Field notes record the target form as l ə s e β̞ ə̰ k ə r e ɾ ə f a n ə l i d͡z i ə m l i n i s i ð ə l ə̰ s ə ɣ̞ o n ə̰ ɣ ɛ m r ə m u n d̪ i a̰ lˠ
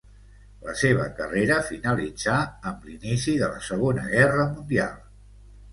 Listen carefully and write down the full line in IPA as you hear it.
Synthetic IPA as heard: l ə s e β̞ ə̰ k ə r e ɾ ə f i n ə l i d͡z a ə m l i n i s i ð ə l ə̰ s ə ɣ̞ o n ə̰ ɣ ɛ r ə m u n d̪ i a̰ lˠ